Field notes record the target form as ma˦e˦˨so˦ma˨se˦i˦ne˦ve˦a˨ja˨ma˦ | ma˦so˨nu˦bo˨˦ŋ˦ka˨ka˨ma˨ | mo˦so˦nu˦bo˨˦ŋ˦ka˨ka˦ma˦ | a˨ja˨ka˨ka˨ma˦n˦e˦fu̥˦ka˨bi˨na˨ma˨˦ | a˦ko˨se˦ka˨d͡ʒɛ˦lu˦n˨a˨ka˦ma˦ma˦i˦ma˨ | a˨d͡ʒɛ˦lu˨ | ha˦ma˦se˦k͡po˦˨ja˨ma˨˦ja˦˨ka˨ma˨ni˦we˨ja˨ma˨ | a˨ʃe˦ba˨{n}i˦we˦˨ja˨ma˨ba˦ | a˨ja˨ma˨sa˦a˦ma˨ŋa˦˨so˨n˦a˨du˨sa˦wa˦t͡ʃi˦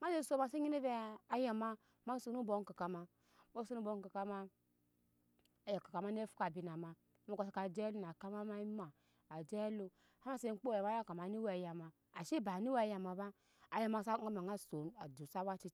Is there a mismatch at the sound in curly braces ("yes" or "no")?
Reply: no